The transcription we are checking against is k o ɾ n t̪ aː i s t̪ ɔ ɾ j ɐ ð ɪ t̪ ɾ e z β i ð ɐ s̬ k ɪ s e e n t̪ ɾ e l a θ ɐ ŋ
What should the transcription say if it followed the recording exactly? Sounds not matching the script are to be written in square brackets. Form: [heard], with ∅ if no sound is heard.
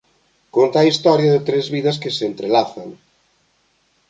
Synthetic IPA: k o [∅] n t̪ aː i s t̪ ɔ ɾ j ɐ ð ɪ t̪ ɾ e z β i ð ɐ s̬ k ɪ s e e n t̪ ɾ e l a θ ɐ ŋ